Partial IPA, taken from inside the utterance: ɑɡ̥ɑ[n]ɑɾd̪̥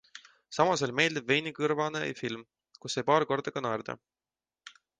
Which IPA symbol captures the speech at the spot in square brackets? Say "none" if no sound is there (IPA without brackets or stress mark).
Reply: n